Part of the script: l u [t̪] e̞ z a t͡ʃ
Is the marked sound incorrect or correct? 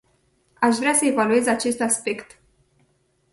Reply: incorrect